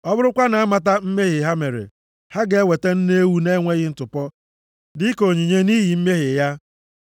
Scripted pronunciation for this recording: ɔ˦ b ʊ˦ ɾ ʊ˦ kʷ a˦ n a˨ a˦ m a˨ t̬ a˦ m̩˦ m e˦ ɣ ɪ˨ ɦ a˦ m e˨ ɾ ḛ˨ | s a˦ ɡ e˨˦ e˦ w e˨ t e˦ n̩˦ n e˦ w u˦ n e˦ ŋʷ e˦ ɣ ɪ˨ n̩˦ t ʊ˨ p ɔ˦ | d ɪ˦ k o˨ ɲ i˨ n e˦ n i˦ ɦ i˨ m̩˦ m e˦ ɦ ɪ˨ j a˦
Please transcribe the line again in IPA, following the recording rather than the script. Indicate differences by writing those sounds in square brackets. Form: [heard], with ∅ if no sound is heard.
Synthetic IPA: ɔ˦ b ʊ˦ ɾ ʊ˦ kʷ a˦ n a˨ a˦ m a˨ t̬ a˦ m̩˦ m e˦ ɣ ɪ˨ ɦ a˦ m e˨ ɾ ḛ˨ | [h] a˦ ɡ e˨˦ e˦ w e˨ t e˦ n̩˦ n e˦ w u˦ n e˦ ŋʷ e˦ ɣ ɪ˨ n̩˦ t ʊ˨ p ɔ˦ | d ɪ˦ k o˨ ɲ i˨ [ɲ] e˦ n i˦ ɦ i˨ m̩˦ m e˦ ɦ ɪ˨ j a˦